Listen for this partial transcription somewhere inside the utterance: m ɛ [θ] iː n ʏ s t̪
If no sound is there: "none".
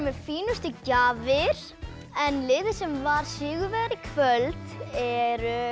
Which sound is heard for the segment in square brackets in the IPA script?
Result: f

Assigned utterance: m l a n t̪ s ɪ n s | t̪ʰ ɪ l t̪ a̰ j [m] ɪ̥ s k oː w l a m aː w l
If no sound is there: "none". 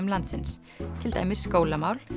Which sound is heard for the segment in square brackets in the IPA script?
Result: m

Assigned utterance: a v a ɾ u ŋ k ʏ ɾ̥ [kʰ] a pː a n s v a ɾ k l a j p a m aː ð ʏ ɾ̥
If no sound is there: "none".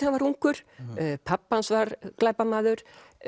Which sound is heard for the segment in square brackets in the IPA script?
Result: pʰ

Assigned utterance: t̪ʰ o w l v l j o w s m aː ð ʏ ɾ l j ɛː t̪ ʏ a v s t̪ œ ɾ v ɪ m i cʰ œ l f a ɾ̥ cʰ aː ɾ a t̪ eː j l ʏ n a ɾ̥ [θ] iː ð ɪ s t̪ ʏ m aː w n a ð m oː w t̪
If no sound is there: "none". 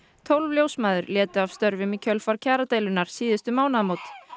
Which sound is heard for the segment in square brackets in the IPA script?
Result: s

